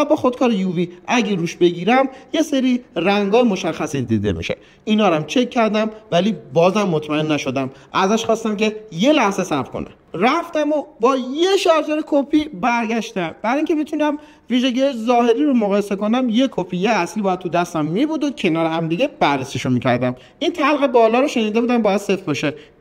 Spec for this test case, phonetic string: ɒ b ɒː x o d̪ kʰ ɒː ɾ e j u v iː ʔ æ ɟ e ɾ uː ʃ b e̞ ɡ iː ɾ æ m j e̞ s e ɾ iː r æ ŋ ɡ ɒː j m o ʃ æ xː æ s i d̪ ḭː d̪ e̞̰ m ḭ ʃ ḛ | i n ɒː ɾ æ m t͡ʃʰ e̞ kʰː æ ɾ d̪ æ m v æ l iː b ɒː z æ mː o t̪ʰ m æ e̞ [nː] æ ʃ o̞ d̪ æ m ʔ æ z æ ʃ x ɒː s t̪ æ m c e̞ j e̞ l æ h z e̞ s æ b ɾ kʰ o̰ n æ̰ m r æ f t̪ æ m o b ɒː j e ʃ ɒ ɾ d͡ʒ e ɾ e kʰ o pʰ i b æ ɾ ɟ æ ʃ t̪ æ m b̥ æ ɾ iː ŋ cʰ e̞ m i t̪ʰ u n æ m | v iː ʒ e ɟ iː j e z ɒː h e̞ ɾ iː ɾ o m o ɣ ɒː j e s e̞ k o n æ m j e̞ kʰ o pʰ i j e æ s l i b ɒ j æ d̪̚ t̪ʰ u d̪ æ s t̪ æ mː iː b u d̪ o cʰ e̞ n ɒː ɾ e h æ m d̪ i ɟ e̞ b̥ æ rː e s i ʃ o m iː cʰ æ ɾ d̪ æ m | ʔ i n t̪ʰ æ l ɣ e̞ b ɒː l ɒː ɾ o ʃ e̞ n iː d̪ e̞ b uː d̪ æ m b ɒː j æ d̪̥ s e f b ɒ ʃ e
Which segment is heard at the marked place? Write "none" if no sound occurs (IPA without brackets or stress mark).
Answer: nː